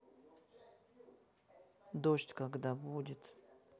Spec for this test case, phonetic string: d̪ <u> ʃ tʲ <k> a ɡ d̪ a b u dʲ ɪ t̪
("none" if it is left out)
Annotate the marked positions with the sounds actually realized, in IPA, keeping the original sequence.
o, k

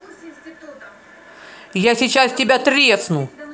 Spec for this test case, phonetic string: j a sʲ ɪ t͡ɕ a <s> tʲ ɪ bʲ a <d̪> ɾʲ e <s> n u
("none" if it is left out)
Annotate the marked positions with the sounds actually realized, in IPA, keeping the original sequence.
s, t̪, s

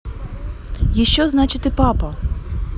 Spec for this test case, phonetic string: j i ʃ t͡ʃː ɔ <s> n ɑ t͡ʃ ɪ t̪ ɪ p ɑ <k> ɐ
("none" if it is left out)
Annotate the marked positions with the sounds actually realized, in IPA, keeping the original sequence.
z, p

